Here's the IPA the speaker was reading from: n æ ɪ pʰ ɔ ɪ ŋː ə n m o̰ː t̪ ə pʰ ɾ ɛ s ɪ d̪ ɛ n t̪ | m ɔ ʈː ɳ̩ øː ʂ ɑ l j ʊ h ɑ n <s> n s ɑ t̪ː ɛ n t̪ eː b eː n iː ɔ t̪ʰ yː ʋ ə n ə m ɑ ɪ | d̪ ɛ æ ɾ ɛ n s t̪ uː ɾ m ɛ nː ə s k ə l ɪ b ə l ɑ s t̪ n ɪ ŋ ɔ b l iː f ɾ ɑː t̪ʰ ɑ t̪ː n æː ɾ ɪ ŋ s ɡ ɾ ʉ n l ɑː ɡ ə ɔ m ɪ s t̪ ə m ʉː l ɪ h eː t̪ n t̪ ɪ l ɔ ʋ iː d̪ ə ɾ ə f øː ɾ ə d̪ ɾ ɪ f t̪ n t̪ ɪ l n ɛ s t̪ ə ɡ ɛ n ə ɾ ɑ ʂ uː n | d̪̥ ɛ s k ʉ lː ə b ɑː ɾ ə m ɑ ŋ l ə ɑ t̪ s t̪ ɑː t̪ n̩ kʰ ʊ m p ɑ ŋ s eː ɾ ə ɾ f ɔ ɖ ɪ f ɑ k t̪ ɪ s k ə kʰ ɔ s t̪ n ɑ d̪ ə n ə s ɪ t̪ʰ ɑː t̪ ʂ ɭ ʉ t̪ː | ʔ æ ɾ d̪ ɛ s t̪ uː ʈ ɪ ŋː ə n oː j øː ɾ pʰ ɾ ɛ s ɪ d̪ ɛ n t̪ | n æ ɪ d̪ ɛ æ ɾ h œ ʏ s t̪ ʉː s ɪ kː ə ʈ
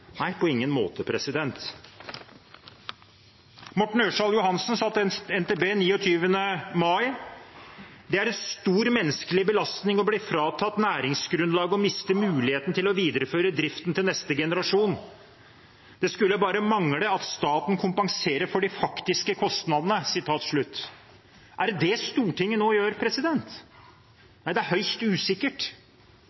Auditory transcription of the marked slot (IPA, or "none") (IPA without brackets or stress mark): s